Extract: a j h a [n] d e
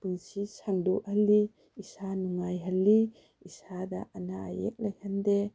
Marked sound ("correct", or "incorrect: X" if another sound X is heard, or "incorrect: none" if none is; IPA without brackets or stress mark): correct